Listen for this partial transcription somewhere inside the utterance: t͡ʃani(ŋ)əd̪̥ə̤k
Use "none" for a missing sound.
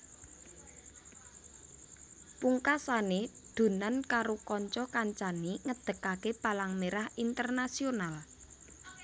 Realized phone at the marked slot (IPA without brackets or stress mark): ŋ